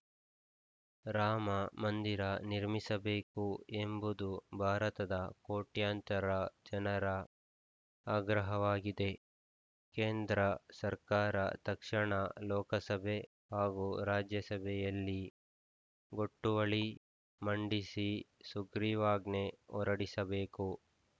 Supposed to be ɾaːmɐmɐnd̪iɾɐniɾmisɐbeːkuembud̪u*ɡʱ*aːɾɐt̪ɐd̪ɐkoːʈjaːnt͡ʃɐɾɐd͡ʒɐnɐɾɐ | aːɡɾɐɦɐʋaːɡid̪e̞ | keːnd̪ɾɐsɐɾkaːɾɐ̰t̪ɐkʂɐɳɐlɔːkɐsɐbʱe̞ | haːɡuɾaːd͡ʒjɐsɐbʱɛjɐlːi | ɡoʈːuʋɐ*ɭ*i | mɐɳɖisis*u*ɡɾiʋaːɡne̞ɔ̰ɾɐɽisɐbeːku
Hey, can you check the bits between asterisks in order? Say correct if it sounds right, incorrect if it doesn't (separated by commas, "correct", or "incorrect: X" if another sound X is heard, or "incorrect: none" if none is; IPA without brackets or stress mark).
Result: incorrect: bʱ, correct, correct